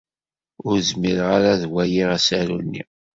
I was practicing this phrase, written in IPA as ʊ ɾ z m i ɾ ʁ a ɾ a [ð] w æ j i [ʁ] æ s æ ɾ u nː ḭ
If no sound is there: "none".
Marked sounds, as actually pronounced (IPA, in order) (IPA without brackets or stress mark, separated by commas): ð, ʁ